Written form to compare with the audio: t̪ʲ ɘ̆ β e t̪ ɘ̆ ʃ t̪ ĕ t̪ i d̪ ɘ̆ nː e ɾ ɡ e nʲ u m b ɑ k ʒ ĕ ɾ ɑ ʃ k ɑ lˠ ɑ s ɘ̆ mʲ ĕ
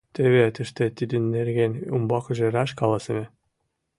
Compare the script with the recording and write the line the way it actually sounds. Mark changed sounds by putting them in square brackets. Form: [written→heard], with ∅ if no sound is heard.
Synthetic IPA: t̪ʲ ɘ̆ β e t̪ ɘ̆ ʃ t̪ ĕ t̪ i d̪ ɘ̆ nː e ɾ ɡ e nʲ u m b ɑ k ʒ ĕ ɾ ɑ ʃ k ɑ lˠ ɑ s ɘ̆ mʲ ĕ